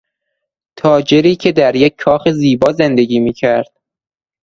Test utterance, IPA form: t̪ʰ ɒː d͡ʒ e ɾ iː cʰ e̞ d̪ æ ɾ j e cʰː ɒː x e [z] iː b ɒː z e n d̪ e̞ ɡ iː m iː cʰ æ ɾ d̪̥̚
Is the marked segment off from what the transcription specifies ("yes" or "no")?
no